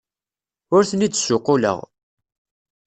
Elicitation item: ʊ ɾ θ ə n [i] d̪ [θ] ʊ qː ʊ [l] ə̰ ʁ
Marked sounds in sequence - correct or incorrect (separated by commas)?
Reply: correct, incorrect, correct